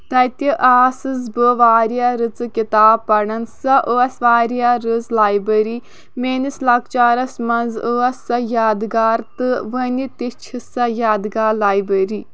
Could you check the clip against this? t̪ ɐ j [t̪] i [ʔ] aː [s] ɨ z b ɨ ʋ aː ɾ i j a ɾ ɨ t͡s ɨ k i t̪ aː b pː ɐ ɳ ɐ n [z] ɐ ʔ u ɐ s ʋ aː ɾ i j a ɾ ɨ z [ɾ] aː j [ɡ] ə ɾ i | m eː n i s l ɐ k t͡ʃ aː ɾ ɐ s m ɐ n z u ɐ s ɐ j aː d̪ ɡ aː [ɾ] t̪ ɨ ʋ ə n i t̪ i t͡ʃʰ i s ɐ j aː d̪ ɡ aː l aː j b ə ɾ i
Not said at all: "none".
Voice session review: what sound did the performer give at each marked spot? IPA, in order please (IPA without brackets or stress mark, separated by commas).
t̪, ʔ, s, s, l, b, ɾ